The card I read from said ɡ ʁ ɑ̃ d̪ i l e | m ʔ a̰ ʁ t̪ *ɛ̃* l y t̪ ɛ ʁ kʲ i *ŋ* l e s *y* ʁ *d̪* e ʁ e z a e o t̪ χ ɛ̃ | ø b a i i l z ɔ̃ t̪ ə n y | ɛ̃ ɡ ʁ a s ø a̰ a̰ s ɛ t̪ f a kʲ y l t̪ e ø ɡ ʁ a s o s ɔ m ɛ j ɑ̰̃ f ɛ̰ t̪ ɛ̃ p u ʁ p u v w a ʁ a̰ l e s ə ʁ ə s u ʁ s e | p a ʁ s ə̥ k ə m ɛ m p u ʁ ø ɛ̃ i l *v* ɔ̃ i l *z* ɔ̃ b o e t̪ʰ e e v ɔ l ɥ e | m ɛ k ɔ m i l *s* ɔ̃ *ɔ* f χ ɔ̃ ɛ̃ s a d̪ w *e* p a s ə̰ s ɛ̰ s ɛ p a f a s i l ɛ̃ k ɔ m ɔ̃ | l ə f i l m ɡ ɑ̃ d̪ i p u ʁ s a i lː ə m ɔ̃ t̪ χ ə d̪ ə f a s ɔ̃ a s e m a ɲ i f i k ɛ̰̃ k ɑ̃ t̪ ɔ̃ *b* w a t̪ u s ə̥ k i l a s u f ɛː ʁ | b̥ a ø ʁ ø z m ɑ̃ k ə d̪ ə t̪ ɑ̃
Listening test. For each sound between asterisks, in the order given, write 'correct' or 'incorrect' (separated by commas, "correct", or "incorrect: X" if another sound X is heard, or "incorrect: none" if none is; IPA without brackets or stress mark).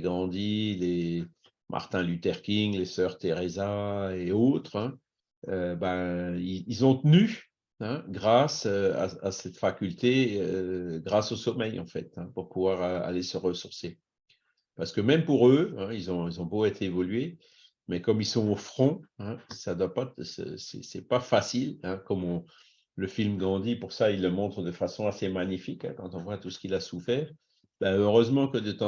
correct, correct, incorrect: œ, incorrect: t̪, incorrect: z, correct, correct, incorrect: o, incorrect: a, incorrect: v